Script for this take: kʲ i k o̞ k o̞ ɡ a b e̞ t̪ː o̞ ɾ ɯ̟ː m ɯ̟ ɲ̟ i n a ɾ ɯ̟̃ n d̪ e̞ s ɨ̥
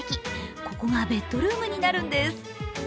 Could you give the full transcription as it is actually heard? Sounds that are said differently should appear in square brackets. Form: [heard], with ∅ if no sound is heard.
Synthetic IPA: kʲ i k o̞ k o̞ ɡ a b e̞ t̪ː o̞ ɾ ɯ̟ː m ɯ̟ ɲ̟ i n a ɾ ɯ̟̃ n d̪ e̞ s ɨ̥